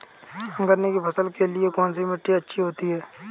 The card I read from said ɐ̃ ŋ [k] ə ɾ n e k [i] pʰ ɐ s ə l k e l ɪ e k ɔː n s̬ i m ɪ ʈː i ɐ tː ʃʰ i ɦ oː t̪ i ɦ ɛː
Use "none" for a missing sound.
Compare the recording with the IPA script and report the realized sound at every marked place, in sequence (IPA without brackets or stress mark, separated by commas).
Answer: ɡ, i